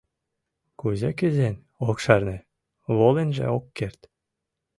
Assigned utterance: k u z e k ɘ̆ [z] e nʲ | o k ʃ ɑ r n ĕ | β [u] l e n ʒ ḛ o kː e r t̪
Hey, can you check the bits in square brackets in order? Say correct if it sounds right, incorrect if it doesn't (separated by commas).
correct, incorrect